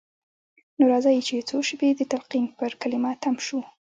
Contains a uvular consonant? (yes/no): yes